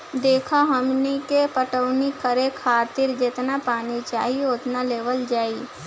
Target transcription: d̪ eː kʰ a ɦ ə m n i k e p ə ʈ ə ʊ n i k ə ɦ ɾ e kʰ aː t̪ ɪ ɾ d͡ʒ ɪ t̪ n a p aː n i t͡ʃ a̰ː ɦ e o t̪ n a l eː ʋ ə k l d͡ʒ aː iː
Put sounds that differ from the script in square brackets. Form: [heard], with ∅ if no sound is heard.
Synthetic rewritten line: d̪ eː kʰ a ɦ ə m n i k e p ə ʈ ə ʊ n i k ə [∅] ɾ e kʰ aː t̪ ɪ ɾ d͡ʒ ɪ t̪ n a p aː n i t͡ʃ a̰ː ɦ [i] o t̪ n a l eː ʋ ə [∅] l d͡ʒ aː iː

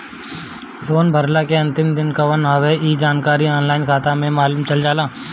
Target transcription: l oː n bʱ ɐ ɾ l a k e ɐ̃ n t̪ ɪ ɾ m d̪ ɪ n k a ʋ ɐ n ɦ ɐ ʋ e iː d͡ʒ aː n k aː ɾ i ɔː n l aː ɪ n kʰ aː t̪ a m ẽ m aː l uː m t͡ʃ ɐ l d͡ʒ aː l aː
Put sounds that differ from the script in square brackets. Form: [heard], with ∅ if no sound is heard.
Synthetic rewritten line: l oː n bʱ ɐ ɾ l a k e ɐ̃ n t̪ ɪ [∅] m d̪ ɪ n k a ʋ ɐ n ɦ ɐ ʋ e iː d͡ʒ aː n k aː ɾ i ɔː n l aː ɪ n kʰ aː t̪ a m ẽ m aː l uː m t͡ʃ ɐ l d͡ʒ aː l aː

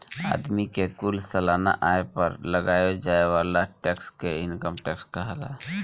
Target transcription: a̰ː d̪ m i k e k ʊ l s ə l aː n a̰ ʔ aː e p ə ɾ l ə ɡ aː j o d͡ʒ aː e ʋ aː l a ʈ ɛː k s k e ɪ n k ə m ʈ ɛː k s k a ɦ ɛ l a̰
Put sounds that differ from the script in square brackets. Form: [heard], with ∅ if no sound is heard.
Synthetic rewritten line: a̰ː d̪ m i k e k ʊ l s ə l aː n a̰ ʔ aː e p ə ɾ l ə ɡ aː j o d͡ʒ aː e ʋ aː l a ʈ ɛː k s k e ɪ n k ə m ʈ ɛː k s k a ɦ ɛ l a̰

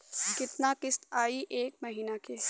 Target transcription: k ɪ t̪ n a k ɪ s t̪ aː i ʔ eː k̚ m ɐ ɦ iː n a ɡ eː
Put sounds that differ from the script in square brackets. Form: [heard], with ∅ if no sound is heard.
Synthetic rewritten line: k ɪ t̪ n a k ɪ s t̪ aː i ʔ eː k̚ m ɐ ɦ iː n a [k] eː

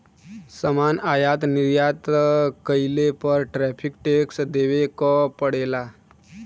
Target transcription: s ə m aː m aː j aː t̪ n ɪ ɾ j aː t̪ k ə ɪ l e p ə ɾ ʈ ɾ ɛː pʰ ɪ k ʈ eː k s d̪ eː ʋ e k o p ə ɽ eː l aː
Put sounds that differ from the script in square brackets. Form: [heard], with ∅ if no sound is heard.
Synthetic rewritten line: s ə m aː [n] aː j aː t̪ n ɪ ɾ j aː t̪ k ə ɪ l e p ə ɾ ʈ ɾ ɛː pʰ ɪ k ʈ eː k s d̪ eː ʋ e k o p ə ɽ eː l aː

